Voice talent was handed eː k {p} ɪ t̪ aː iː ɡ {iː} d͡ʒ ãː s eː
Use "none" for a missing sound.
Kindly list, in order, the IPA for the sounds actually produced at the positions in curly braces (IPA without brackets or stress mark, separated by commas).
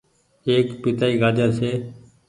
p, aː